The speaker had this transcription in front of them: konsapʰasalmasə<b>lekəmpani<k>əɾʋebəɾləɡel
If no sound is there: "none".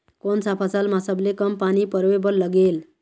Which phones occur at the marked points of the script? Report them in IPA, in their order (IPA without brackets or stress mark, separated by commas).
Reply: b, p